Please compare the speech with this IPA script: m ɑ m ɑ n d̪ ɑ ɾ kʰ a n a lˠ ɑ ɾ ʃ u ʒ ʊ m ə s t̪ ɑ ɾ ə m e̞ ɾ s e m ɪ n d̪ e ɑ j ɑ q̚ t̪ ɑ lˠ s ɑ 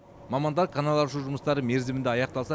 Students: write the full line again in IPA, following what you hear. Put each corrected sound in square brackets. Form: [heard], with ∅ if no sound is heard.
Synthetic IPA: m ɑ m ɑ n d̪ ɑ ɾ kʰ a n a lˠ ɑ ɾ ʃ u ʒ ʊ m ə s t̪ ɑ ɾ ə m e̞ ɾ [z] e m ɪ n d̪ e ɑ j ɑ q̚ t̪ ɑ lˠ s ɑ